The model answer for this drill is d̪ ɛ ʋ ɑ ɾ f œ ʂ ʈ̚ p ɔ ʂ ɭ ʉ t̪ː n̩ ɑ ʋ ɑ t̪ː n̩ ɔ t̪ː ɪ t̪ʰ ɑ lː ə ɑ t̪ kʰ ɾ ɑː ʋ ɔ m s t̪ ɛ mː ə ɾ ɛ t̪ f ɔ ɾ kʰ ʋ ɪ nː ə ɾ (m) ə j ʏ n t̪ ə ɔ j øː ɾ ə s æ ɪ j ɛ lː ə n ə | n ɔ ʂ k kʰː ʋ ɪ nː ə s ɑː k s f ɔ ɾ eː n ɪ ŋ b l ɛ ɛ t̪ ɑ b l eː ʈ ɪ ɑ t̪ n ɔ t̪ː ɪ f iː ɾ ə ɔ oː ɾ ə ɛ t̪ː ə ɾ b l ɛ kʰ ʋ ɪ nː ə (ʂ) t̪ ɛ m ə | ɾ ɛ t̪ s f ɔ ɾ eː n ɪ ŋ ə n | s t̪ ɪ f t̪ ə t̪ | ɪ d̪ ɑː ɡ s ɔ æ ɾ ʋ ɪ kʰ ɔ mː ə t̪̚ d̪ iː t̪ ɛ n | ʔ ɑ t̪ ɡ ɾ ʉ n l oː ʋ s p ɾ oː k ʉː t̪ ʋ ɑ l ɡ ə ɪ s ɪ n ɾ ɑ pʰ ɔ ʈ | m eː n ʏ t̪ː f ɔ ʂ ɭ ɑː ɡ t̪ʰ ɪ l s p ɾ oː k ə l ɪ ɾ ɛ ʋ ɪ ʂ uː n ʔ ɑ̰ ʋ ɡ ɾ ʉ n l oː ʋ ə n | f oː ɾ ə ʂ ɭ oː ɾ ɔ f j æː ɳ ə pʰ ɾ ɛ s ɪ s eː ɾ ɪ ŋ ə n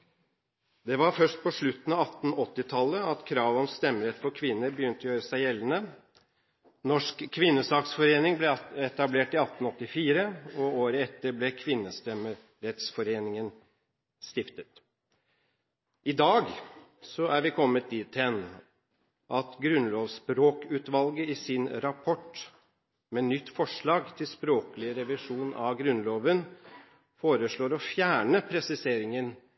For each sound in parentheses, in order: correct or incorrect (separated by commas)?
incorrect, incorrect